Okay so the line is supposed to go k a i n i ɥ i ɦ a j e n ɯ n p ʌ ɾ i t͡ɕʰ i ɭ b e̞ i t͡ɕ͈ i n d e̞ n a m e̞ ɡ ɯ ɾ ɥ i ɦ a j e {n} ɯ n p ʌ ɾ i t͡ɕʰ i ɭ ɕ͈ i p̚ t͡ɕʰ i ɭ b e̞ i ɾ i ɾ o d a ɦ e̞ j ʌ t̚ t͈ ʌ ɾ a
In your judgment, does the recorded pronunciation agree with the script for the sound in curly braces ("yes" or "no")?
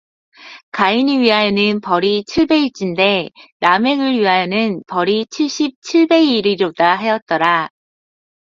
yes